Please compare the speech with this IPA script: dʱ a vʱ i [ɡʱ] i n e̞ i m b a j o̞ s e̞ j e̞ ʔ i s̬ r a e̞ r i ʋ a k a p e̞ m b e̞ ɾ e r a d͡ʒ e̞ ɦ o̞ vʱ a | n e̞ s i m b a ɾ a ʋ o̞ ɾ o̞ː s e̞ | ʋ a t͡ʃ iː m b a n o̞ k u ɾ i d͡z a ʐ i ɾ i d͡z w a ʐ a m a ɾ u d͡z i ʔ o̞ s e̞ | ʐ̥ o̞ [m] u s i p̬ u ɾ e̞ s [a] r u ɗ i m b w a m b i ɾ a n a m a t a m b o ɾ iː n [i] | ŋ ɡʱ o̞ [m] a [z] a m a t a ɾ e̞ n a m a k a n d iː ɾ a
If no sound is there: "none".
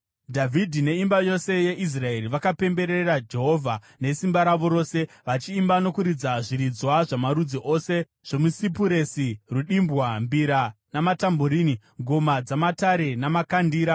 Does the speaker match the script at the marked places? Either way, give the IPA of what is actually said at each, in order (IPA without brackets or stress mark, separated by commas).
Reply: dʱ, m, i, i, m, d͡z